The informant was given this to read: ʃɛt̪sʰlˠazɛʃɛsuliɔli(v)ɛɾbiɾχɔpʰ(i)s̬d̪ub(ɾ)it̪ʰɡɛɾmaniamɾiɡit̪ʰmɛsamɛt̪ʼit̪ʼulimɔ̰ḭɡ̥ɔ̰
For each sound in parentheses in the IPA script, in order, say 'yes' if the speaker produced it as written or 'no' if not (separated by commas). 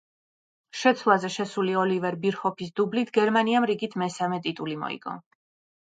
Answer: yes, yes, no